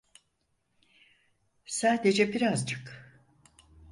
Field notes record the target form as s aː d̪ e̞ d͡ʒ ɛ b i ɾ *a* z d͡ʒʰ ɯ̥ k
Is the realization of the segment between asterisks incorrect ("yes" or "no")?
no